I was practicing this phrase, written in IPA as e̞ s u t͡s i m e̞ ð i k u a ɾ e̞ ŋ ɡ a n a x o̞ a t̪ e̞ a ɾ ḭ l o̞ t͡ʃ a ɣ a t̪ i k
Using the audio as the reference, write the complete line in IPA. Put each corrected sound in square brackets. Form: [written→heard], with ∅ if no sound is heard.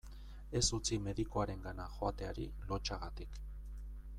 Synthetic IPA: e̞ s u t͡s i m e̞ ð i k [u→o] a ɾ e̞ ŋ ɡ a n a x o̞ a t̪ e̞ a ɾ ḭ l o̞ t͡ʃ a ɣ a t̪ i k